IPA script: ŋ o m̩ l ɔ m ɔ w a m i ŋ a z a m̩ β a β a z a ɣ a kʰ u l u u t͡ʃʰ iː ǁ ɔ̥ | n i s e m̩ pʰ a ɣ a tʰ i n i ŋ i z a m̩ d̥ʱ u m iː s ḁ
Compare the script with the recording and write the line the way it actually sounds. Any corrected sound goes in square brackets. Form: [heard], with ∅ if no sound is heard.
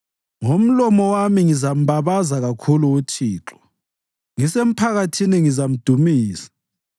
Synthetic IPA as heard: ŋ o m̩ l ɔ m ɔ w a m i ŋ [i] z a m̩ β a β a z a ɣ a kʰ u l u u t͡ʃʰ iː ǁ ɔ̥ | [ŋ] i s e m̩ pʰ a ɣ a tʰ i n i ŋ i z a m̩ d̥ʱ u m iː s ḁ